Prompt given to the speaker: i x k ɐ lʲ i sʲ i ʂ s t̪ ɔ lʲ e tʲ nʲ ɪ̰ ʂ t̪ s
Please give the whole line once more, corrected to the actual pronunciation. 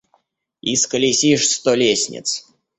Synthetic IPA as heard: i s k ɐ lʲ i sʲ i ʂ s t̪ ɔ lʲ e sʲ nʲ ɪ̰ t̪ s